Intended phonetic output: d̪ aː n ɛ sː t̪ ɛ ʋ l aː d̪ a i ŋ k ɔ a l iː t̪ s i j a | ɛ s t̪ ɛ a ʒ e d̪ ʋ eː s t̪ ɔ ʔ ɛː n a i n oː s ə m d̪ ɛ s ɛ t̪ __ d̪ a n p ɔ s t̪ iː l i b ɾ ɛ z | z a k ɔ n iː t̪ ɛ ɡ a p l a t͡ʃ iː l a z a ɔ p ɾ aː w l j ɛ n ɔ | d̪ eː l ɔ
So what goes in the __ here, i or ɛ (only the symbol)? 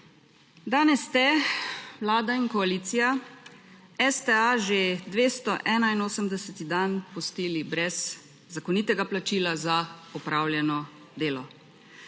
i